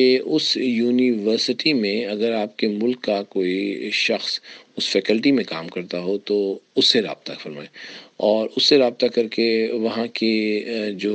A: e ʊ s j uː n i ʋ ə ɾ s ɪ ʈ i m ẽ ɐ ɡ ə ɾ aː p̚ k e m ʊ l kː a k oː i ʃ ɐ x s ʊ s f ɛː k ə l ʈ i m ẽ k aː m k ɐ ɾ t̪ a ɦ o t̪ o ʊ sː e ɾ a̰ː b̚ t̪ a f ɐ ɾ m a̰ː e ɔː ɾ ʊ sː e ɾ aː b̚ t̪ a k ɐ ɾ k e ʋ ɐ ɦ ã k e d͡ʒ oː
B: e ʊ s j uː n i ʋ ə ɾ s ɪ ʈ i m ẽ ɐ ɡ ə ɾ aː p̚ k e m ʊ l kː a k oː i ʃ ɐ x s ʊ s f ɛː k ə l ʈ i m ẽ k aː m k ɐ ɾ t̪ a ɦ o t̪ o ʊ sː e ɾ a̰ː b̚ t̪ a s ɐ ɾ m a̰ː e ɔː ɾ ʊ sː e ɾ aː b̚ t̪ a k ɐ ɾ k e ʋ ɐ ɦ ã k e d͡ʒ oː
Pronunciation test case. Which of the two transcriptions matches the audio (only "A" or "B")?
A